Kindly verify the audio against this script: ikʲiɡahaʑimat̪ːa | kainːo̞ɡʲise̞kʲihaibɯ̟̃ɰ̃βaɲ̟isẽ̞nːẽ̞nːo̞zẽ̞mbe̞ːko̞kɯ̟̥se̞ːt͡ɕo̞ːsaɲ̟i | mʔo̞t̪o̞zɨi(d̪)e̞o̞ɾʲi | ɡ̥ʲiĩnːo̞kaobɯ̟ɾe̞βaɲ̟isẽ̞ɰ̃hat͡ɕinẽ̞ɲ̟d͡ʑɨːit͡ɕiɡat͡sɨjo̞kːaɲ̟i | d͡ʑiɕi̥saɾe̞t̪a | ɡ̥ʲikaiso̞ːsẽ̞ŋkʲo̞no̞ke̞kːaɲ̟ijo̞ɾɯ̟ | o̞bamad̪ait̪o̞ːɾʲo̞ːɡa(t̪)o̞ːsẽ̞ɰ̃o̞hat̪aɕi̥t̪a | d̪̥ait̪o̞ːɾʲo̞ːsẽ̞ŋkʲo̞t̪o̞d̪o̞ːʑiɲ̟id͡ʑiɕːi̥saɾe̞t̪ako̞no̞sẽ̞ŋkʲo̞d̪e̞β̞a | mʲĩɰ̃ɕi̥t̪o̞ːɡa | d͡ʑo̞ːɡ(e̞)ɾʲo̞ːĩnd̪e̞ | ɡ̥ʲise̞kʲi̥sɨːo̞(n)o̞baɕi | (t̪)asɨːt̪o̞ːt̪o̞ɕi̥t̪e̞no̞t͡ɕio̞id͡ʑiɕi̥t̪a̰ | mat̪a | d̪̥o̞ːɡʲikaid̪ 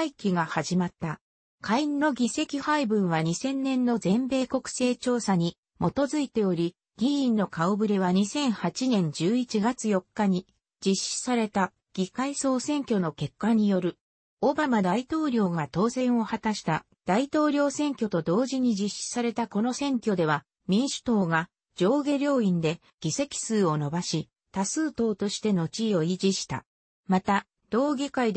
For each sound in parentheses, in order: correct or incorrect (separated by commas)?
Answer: incorrect, correct, correct, correct, correct